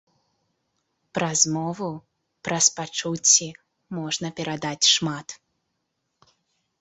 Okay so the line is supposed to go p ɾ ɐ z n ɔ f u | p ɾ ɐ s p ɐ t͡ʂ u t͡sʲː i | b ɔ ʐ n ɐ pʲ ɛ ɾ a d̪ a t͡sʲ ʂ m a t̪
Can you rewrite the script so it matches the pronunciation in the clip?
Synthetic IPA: p ɾ ɐ z m ɔ v u | p ɾ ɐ s p a t͡ʂ u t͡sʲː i | m ɔ ʐ n ɐ pʲ ɛ ɾ a d̪ a t͡sʲ ʂ m a t̪